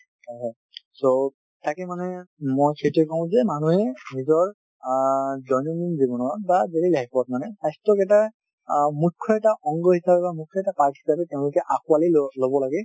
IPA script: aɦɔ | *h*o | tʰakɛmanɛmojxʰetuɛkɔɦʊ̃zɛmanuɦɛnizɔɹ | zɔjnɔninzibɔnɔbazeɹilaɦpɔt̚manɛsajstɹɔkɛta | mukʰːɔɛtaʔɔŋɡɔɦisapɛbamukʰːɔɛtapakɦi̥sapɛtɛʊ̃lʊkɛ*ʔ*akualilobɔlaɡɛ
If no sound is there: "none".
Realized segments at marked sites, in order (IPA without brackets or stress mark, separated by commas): s, ʔ